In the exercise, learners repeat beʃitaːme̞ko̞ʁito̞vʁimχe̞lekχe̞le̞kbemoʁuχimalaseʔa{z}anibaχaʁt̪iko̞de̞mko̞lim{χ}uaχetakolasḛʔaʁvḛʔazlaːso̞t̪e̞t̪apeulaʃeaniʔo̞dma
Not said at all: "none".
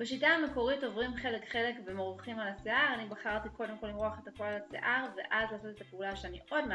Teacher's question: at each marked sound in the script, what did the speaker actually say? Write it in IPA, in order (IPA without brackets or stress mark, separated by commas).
ʁ, ʁ